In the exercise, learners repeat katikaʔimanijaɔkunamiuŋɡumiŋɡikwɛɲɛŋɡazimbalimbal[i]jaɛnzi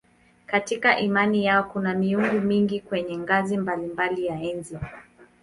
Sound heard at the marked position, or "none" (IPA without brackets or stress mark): i